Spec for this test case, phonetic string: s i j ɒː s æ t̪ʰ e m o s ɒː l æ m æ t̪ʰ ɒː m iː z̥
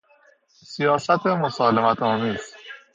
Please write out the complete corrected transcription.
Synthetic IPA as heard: s i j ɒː s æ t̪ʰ e m o s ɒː l e m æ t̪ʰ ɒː m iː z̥